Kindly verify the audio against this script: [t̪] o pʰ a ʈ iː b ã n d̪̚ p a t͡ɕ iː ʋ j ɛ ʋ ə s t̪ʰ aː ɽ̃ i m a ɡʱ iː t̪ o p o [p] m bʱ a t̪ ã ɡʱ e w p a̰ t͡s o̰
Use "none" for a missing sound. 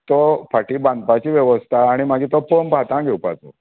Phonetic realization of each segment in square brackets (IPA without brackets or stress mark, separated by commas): t̪, none